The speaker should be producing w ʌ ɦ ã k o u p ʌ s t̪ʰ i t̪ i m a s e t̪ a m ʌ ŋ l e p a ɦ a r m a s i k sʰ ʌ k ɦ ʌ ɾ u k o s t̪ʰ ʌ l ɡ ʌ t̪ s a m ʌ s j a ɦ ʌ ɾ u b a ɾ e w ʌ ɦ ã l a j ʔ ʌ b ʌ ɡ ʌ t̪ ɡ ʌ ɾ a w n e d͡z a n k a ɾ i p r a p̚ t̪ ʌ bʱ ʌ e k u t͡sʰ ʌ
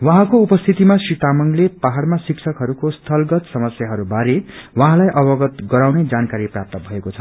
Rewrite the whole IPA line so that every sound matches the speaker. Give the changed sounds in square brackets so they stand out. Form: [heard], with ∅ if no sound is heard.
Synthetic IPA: w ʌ ɦ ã k o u p ʌ s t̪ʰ i t̪ i m a s [i] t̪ a m ʌ ŋ l e p a ɦ a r m a s i k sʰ ʌ k ɦ ʌ ɾ u k o s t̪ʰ ʌ l ɡ ʌ t̪ s [ʌ] m ʌ s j a ɦ ʌ ɾ u b a ɾ e w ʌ ɦ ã l a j ʔ ʌ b ʌ ɡ ʌ t̪ ɡ ʌ ɾ a w n e d͡z a n k a ɾ i p r a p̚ t̪ ʌ bʱ ʌ e k [o] t͡sʰ ʌ